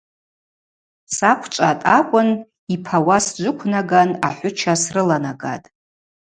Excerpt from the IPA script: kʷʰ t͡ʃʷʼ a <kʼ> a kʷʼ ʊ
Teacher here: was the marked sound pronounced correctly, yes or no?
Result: no